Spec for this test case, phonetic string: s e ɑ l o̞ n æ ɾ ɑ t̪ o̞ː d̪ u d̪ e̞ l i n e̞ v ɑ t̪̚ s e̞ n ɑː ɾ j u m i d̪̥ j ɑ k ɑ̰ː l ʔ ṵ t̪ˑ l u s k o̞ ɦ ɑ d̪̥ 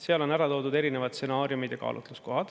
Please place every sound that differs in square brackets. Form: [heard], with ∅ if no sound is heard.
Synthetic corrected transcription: s e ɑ l o̞ n æ ɾ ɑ t̪ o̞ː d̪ u d̪ e̞ [ɾ] i n e̞ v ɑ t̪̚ s e̞ n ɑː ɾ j u m i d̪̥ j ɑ k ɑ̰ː l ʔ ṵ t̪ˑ l u s k o̞ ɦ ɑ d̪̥